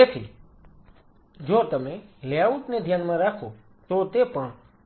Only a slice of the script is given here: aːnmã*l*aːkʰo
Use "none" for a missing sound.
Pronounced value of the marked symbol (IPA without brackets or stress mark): ɾ